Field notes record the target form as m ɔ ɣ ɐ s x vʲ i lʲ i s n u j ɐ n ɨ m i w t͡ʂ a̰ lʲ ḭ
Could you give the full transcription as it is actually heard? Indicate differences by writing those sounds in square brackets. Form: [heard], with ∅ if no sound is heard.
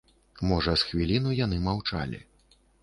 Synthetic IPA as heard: m ɔ [ʐ] ɐ s x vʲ i lʲ i [∅] n u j [a] n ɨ m [a] w t͡ʂ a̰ lʲ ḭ